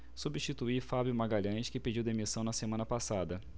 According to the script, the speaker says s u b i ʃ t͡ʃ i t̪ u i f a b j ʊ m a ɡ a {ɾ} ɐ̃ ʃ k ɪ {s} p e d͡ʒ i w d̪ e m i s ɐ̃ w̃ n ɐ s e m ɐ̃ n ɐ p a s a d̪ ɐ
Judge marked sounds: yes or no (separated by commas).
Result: no, no